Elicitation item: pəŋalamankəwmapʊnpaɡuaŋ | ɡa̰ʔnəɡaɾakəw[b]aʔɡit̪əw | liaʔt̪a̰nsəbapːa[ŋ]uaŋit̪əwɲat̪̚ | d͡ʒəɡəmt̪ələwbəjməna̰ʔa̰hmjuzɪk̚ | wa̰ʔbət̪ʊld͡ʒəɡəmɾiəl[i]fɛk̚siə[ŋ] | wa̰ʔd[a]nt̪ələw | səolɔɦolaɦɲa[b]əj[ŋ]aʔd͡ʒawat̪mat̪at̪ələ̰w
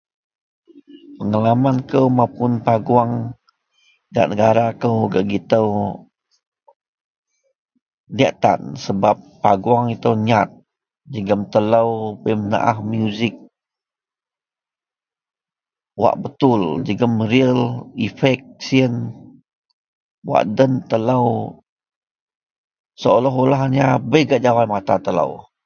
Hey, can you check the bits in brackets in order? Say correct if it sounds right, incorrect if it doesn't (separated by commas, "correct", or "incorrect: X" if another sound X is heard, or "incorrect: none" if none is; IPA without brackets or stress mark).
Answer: incorrect: ɡ, incorrect: ɡ, correct, incorrect: n, incorrect: ə, correct, incorrect: ɡ